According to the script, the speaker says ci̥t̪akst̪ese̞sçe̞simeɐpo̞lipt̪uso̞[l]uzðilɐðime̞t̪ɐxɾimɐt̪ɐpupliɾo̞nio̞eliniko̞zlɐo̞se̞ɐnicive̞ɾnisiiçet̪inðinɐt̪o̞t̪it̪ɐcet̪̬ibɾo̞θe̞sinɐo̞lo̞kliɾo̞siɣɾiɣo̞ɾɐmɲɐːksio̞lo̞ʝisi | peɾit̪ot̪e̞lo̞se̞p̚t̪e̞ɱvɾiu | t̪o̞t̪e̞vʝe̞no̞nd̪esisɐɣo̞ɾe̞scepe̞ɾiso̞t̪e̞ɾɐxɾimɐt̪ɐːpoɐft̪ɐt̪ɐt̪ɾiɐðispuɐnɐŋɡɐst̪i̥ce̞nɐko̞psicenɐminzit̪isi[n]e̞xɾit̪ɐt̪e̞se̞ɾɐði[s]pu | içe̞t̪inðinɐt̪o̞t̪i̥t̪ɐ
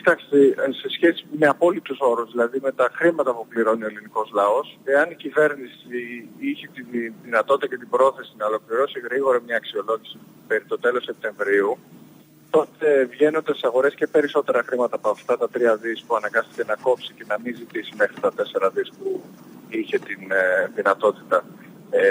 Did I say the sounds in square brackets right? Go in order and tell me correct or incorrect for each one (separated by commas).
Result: incorrect, incorrect, correct